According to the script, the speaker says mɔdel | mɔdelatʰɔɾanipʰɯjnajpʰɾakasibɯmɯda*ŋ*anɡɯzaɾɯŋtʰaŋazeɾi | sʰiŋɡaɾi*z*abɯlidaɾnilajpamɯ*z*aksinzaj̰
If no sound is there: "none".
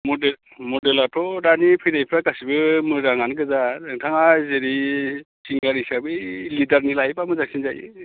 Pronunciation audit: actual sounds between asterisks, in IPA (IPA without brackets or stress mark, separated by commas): ŋ, s, z